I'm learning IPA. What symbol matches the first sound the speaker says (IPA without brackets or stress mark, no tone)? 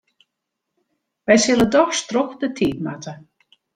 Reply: ʋ